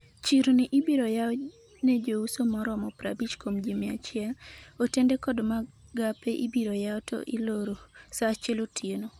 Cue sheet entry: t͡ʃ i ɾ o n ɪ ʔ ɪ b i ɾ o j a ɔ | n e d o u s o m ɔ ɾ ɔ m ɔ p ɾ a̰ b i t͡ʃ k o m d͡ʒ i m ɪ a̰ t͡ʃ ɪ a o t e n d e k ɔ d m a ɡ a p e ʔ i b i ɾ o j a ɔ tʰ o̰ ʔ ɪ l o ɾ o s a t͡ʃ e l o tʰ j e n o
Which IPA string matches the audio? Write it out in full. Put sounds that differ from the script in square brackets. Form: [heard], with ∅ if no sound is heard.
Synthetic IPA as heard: t͡ʃ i ɾ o n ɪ ʔ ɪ b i ɾ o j a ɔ | n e [d͡ʒ] o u s o m ɔ ɾ ɔ m ɔ p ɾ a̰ b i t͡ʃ k o m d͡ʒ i m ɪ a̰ t͡ʃ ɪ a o t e n d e k ɔ d m a ɡ a p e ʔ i b i ɾ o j a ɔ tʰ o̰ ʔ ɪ l o ɾ o s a t͡ʃ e l o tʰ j e n o